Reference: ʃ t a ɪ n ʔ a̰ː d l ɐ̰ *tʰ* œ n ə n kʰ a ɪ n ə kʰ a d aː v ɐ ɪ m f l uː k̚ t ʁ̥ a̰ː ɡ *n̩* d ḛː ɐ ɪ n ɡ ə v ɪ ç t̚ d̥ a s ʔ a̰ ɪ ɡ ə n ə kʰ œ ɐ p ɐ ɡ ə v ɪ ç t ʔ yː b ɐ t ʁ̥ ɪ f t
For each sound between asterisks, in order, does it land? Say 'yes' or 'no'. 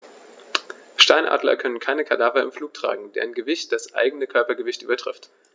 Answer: no, no

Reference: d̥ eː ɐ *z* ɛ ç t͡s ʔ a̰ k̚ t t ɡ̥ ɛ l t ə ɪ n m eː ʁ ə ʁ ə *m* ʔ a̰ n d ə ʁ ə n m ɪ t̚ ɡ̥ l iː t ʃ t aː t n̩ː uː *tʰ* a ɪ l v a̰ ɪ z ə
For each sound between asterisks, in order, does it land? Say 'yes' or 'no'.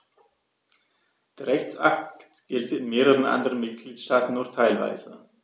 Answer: no, no, yes

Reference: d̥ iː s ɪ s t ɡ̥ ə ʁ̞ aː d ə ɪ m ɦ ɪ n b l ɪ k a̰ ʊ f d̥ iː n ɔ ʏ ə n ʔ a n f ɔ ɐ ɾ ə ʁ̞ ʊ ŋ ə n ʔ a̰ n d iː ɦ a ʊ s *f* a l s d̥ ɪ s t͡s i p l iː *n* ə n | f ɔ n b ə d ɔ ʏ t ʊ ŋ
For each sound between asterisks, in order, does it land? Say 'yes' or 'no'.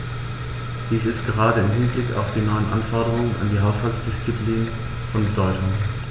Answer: no, yes

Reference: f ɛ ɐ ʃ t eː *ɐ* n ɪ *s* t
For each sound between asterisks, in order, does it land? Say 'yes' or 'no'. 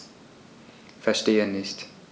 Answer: no, yes

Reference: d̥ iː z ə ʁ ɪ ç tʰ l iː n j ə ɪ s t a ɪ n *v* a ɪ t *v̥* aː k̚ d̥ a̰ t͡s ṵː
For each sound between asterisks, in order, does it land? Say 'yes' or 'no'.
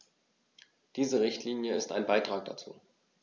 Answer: no, no

